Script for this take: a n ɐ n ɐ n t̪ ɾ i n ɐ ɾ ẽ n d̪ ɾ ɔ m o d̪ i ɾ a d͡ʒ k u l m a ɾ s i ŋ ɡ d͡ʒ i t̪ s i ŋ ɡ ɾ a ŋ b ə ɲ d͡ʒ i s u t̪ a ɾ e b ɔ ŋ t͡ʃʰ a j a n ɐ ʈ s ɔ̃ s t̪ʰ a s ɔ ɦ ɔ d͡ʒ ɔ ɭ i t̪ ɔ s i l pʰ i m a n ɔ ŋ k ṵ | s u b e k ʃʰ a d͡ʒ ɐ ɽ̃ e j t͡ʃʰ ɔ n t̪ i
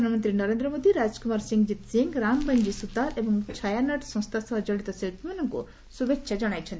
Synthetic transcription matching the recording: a n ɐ m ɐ n t̪ ɾ i n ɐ ɾ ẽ n d̪ ɾ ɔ m o d̪ i ɾ a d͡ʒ k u m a ɾ s i ŋ ɡ d͡ʒ i t̪ s i ŋ ɡ ɾ a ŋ b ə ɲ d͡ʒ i s u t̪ a ɾ e b ɔ ŋ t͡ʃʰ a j a n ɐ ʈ s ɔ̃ s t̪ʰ a s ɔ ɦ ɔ d͡ʒ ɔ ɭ i t̪ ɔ s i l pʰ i m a n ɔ ŋ k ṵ | s u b e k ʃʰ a d͡ʒ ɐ ɽ̃ a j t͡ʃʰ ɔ n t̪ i